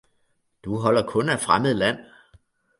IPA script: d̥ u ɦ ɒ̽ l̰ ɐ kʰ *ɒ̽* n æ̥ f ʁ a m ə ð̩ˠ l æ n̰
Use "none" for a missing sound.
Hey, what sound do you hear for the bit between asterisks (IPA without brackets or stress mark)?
ɔ̽